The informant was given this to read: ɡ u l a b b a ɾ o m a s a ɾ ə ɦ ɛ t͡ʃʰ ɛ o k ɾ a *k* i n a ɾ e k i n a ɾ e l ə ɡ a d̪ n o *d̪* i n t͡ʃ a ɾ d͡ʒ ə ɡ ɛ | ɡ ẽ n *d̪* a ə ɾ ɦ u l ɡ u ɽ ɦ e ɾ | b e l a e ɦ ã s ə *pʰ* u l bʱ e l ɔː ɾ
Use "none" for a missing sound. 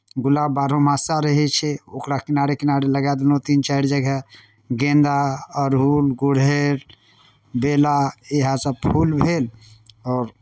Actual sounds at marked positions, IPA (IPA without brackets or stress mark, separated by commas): k, t̪, d̪, pʰ